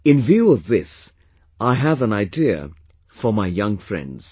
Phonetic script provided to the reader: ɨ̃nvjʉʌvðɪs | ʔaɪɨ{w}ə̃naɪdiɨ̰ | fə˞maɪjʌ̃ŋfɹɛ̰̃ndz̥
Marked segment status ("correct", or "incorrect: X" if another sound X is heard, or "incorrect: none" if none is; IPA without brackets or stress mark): incorrect: v